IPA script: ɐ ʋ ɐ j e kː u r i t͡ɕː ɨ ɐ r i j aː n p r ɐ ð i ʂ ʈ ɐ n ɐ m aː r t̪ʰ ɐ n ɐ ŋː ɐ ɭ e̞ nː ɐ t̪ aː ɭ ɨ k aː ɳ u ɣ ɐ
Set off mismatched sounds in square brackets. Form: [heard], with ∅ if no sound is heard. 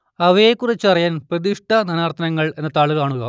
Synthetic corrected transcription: ɐ ʋ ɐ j e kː u r i t͡ɕː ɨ ɐ r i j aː n p r ɐ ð i ʂ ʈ ɐ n ɐ [n] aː r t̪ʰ ɐ n ɐ ŋː ɐ ɭ e̞ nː ɐ t̪ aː ɭ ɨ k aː ɳ u ɣ ɐ